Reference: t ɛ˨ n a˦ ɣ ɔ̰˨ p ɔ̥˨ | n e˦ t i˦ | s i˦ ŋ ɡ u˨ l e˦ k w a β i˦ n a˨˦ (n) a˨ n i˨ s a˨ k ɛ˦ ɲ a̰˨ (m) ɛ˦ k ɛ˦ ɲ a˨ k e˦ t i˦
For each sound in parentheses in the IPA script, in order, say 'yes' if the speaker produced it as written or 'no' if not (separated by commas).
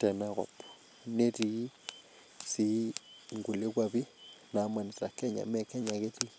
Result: no, yes